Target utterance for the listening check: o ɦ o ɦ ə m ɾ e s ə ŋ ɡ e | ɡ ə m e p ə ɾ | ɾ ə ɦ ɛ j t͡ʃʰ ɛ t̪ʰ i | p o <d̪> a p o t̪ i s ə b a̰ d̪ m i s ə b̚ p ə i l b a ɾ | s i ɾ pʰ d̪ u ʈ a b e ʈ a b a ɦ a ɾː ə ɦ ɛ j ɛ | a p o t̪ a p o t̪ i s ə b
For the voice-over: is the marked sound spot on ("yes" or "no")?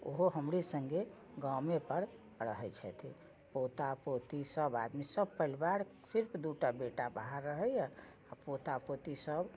no